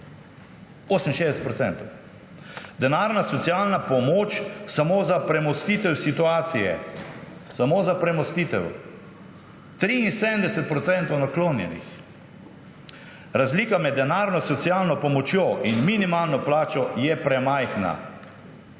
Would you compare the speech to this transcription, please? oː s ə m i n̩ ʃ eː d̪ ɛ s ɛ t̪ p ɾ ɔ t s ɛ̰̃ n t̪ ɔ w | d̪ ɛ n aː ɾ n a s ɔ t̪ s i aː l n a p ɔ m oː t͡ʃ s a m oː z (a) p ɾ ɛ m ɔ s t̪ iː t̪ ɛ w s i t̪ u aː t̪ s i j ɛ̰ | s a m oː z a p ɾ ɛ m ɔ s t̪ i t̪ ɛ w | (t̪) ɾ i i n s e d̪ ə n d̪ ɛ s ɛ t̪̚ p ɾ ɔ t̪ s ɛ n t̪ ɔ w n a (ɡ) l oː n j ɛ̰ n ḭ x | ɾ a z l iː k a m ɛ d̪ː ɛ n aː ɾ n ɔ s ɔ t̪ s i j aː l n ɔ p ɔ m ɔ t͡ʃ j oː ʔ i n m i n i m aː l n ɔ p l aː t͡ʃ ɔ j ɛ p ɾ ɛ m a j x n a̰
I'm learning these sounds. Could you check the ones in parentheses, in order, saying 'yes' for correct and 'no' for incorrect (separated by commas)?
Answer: yes, yes, no